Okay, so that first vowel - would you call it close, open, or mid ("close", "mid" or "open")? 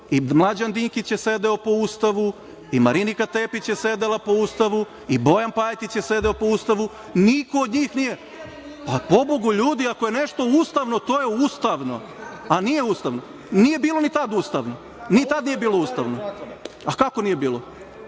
close